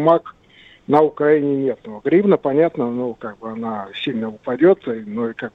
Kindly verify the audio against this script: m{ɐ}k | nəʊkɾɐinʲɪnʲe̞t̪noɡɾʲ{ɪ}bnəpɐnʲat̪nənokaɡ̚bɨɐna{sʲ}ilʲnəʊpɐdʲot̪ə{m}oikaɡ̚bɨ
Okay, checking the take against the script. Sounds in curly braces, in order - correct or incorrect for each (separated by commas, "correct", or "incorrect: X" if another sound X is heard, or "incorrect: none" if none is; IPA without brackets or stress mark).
incorrect: a, incorrect: i, correct, incorrect: n